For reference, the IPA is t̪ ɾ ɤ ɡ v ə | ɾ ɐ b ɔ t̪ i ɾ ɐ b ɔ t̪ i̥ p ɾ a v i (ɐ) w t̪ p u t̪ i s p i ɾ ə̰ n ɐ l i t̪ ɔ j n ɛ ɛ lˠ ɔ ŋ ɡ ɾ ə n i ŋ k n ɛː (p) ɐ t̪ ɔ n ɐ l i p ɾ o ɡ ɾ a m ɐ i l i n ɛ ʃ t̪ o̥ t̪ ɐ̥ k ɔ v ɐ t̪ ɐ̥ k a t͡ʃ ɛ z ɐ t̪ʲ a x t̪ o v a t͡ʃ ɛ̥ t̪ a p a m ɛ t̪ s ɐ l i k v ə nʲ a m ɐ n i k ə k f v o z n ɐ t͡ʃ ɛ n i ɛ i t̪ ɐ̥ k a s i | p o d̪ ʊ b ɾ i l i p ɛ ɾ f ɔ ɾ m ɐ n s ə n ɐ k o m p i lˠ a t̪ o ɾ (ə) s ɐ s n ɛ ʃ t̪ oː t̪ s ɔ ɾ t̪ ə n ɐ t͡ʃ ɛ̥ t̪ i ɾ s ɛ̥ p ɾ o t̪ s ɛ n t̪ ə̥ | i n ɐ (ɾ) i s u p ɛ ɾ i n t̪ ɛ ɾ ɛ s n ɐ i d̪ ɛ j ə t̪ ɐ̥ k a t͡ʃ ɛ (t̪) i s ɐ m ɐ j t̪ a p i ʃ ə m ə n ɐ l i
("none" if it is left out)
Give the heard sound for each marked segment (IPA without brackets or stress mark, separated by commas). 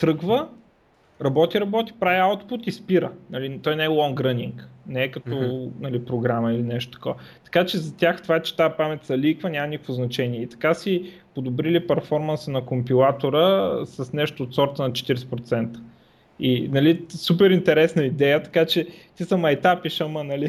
a, k, ə, l, t̪